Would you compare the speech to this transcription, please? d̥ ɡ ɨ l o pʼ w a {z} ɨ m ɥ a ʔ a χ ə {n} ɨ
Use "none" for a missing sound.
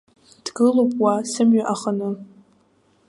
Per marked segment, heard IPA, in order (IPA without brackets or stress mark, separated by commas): s, n